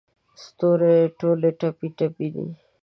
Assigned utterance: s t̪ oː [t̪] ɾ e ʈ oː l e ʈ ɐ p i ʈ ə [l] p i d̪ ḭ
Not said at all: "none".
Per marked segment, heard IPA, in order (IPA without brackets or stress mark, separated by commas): none, none